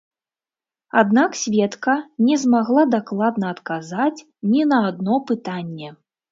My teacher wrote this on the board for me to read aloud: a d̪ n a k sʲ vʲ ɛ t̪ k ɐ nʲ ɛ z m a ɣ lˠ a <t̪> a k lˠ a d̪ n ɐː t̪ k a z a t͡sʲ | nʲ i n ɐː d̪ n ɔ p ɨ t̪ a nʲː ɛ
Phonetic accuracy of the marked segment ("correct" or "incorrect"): incorrect